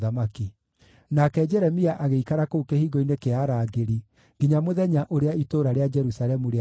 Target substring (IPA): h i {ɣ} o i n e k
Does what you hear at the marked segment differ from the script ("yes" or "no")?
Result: no